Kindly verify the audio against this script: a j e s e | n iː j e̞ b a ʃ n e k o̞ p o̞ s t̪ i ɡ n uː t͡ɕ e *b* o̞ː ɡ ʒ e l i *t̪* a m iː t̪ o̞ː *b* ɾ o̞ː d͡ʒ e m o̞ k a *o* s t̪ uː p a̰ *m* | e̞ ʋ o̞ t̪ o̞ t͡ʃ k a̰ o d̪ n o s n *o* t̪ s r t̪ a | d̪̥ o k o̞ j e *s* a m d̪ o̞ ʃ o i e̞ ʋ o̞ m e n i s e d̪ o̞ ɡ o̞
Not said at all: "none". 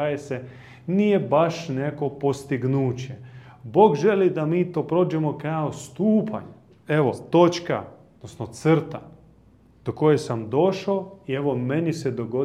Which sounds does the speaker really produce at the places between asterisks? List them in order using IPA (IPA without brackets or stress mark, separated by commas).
b, d̪, p, o, ɲ, o, s